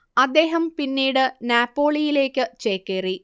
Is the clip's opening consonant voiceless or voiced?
voiced